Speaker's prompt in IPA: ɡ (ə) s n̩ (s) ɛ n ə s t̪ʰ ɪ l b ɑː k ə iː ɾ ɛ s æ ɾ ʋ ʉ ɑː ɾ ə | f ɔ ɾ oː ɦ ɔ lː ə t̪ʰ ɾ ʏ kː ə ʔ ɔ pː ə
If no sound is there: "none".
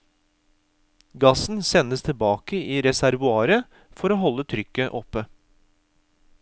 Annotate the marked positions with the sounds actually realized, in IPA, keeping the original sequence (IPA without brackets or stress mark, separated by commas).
ɑ, s